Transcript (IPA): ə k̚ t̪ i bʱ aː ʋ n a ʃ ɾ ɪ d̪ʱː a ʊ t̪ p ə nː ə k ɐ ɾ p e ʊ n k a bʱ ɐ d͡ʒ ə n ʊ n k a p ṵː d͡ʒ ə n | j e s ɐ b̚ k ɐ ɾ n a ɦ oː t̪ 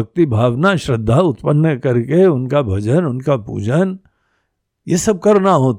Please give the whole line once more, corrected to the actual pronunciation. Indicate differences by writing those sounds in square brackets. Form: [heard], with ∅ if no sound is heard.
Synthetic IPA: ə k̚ t̪ i bʱ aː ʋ n a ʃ ɾ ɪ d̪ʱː a ʊ t̪ p ə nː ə k ɐ ɾ [k] e ʊ n k a bʱ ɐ d͡ʒ ə n ʊ n k a p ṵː d͡ʒ ə n | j e s ɐ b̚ k ɐ ɾ n a ɦ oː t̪